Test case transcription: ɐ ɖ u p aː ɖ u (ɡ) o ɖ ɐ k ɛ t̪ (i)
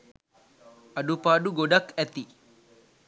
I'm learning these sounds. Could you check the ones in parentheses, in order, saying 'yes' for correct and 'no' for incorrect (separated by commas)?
yes, yes